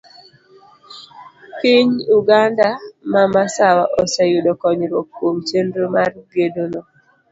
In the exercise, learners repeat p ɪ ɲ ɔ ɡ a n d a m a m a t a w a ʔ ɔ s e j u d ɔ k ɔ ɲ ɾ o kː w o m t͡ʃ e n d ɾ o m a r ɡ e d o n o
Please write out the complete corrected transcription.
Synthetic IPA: p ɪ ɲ u ɡ a n d a m a m a s a w a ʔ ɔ s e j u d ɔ k ɔ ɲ ɾ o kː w o m t͡ʃ e n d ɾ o m a r ɡ e d o n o